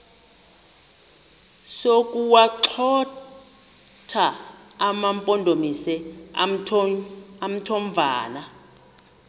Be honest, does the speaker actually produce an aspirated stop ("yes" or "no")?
yes